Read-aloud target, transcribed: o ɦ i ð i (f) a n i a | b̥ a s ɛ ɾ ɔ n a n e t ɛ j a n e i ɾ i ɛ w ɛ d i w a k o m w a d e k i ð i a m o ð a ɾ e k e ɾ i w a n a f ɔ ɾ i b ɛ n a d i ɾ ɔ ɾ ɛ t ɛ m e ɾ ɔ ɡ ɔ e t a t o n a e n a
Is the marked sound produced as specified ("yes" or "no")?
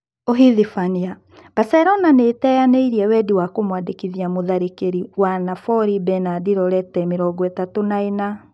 yes